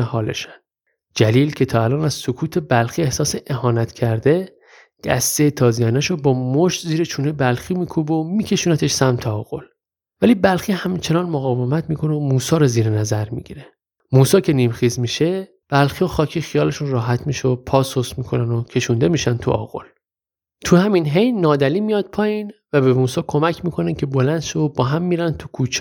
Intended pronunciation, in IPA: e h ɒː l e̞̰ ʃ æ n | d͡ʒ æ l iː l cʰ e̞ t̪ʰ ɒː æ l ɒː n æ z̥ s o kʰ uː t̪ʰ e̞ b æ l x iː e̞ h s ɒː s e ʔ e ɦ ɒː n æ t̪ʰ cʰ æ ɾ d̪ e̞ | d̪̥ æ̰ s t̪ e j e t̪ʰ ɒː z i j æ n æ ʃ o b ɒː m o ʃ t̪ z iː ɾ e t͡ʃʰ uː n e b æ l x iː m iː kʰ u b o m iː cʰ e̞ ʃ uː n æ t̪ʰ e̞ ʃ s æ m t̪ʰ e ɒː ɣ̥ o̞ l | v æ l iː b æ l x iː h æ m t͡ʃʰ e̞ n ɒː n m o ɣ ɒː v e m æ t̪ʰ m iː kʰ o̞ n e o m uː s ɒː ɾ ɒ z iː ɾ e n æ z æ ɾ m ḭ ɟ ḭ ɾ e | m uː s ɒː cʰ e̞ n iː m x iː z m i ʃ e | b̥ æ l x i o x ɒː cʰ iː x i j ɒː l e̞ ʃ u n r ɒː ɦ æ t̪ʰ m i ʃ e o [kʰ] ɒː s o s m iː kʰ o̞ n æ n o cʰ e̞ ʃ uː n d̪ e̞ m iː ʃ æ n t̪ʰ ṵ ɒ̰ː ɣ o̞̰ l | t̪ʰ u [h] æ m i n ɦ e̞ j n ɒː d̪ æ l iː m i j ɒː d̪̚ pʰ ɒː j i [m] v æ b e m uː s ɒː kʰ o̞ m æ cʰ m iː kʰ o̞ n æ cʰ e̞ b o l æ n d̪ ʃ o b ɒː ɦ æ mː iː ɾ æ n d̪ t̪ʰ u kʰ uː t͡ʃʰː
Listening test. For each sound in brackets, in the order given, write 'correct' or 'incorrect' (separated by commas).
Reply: incorrect, correct, incorrect